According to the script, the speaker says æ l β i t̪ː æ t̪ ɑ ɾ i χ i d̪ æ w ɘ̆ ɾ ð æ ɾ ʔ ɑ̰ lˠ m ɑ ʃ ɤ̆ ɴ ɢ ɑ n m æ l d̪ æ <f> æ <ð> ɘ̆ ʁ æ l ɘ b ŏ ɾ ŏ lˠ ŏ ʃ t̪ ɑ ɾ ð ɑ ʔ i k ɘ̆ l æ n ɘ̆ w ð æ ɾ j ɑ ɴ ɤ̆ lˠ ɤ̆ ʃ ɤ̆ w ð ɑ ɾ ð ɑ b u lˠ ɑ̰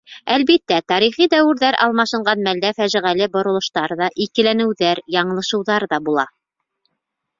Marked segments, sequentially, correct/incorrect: correct, incorrect: ʒ

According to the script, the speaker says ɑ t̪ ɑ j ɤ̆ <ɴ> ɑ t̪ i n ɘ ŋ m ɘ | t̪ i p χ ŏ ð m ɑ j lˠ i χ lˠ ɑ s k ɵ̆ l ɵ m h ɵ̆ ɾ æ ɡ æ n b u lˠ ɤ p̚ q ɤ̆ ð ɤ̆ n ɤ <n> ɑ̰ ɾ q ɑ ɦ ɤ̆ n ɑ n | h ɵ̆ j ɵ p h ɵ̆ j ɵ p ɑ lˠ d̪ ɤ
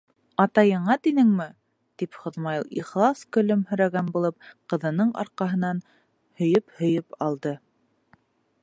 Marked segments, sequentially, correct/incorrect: correct, incorrect: ɴ

